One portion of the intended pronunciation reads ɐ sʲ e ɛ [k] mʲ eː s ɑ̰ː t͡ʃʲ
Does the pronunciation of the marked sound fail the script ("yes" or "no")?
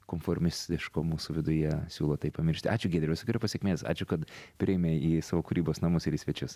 no